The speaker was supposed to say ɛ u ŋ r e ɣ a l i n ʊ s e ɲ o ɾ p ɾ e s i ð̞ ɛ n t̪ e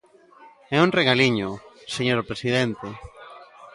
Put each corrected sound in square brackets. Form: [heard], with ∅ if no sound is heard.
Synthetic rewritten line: ɛ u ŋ r e ɣ a l i [ɲ] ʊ s e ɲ o ɾ p ɾ e s i ð̞ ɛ n t̪ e